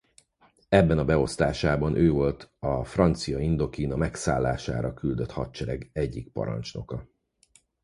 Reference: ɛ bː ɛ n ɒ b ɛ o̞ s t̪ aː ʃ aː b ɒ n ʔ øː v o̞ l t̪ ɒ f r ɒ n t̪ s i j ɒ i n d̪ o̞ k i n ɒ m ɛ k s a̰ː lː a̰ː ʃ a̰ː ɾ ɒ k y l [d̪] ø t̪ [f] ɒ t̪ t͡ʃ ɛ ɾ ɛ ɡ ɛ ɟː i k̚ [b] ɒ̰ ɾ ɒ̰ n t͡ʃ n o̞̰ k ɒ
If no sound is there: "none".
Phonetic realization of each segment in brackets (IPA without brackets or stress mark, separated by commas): d̪, h, p